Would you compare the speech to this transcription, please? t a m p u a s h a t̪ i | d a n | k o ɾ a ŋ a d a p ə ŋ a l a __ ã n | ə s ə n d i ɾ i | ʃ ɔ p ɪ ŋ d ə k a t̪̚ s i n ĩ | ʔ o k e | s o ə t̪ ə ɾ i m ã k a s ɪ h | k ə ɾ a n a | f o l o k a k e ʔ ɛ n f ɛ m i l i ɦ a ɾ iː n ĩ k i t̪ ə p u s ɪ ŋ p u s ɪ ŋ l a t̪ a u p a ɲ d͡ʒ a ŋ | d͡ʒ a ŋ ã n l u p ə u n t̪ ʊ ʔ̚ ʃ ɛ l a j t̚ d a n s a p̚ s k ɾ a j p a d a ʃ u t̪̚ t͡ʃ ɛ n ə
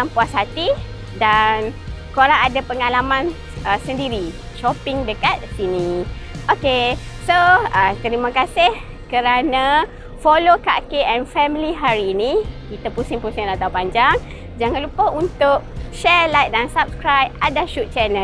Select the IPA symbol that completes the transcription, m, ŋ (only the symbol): m